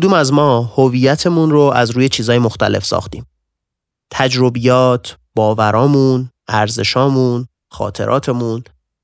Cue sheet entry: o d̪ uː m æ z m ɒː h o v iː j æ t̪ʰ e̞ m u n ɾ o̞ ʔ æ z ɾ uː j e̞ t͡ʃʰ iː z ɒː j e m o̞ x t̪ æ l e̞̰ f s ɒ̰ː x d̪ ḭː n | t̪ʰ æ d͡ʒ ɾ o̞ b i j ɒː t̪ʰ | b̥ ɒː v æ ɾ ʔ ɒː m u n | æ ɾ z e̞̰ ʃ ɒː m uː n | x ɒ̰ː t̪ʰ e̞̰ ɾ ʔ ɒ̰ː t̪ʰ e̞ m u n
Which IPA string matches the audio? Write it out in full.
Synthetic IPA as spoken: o d̪ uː m æ z m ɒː h o v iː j æ t̪ʰ e̞ m u n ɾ o̞ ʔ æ z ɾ uː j e̞ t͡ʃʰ iː z ɒː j e m o̞ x t̪ æ l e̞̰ f s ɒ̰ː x t̪ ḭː m | t̪ʰ æ d͡ʒ ɾ o̞ b i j ɒː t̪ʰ | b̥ ɒː v æ ɾ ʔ ɒː m u n | æ ɾ z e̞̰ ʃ ɒː m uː n | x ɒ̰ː t̪ʰ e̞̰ ɾ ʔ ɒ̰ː t̪ʰ e̞ m u n